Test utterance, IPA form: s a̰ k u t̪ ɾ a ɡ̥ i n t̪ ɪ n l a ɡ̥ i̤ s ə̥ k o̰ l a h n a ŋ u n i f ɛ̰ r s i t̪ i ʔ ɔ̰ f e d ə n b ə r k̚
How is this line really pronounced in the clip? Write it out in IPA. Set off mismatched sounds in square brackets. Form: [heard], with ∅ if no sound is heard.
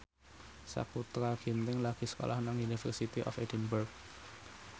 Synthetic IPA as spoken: s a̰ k u t̪ ɾ a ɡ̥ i n t̪ ɪ [ŋ] l a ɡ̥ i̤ s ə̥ k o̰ l a h n a ŋ u n i f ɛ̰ r s i t̪ i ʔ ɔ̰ f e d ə n b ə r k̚